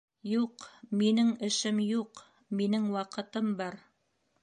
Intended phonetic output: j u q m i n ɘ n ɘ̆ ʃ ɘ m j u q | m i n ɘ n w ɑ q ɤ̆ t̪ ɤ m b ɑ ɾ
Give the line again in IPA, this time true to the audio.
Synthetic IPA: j u q m i n ɘ ŋ ɘ̆ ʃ ɘ m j u q | m i n ɘ ŋ w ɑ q ɤ̆ t̪ ɤ m b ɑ ɾ

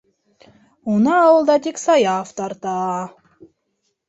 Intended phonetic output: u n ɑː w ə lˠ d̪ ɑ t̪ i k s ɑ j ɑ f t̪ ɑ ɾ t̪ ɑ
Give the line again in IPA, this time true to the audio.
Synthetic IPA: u n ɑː w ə lˠ d̪ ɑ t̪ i k s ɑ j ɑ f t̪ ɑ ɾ t̪ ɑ

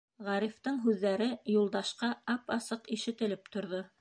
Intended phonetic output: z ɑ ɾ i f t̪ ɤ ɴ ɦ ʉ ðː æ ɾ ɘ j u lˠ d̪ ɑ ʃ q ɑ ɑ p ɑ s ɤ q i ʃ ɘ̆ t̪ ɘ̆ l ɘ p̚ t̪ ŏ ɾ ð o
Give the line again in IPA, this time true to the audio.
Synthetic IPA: ʁ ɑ ɾ i f t̪ ɤ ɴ ɦ ʉ ðː æ ɾ ɘ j u lˠ d̪ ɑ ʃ q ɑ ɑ p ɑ s ɤ q i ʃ ɘ̆ t̪ ɘ̆ l ɘ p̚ t̪ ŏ ɾ ð o

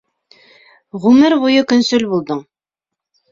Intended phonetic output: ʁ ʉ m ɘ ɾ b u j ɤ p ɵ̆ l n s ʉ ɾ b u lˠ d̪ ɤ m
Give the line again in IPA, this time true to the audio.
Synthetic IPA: ʁ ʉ m ɘ ɾ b u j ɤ k ɵ̆ n s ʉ l b u lˠ d̪ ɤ ɴ

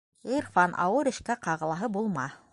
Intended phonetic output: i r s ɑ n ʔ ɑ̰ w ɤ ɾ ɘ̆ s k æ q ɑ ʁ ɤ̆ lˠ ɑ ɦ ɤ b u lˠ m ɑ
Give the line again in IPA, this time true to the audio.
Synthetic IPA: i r f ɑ n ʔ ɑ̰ w ɤ ɾ ɘ̆ ʃ k æ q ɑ ʁ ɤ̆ lˠ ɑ ɦ ɤ b u lˠ m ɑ

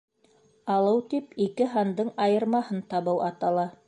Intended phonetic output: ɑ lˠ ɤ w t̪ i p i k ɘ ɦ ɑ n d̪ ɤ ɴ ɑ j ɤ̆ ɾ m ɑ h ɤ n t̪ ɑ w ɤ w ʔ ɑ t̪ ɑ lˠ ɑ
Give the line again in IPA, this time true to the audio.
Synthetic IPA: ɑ lˠ ɤ w t̪ i p i k ɘ ɦ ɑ n d̪ ɤ ɴ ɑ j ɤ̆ ɾ m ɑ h ɤ n t̪ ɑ β ɤ w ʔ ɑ t̪ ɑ lˠ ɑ

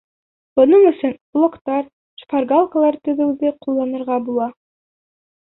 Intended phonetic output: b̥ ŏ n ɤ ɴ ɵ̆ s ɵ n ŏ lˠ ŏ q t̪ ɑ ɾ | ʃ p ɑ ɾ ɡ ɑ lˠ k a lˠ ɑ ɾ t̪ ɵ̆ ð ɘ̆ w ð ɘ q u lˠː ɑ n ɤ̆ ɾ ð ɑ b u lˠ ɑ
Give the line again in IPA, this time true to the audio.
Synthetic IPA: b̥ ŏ n ɤ ɴ ɵ̆ s ɵ n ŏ lˠ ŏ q t̪ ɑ ɾ | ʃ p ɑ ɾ ɡ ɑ lˠ k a lˠ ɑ ɾ t̪ ɵ̆ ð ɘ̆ w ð ɘ q u lˠː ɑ n ɤ̆ ɾ ʁ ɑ b u lˠ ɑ

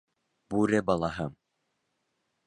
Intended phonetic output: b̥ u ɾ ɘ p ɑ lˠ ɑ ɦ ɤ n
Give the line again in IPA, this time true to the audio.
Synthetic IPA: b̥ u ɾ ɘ b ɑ lˠ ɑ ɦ ɤ m

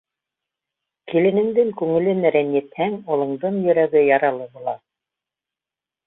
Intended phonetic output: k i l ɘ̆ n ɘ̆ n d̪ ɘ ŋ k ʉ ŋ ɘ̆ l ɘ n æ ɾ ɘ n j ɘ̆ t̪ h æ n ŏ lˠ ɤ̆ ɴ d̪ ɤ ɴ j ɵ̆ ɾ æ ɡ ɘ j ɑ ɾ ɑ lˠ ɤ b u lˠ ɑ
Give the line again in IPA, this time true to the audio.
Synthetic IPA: k i l ɘ̆ n ɘ̆ ŋ d̪ ɘ ŋ k ʉ ŋ ɘ̆ l ɘ n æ ɾ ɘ n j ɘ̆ t̪ h æ ŋ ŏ lˠ ɤ̆ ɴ d̪ ɤ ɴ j ɵ̆ ɾ æ ɡ ɘ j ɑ ɾ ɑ lˠ ɤ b u lˠ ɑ

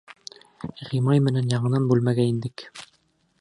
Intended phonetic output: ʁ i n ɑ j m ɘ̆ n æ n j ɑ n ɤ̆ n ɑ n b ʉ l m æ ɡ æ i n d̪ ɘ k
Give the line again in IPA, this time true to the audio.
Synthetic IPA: ʁ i m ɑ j m ɘ̆ n æ n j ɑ ɴ ɤ̆ n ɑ n b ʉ l m æ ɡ æ i n d̪ ɘ k

